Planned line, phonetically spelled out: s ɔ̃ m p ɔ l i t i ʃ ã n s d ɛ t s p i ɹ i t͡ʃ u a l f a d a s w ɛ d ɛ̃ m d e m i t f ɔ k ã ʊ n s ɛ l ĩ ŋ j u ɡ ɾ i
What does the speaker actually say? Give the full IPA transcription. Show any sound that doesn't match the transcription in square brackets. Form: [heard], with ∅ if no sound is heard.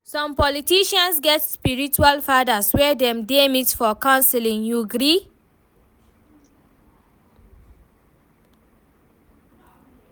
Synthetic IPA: s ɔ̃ m p ɔ l i t i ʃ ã n s [ɡ] ɛ t s p i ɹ i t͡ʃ u a l f a d a s w ɛ d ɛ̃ m d e m i t f ɔ k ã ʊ n s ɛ l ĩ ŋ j u ɡ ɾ i